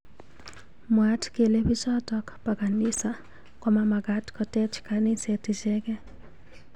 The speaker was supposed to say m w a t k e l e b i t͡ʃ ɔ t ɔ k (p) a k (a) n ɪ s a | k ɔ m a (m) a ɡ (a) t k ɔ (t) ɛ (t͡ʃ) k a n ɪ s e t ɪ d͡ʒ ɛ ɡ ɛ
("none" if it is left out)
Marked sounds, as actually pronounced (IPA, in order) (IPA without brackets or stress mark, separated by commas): p, a, m, a, t, t͡ʃ